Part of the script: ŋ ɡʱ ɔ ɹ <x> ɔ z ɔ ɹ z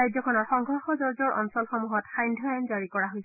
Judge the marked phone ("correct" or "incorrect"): correct